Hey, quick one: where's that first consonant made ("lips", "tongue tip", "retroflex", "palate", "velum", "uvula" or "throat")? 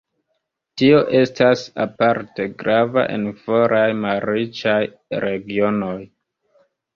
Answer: tongue tip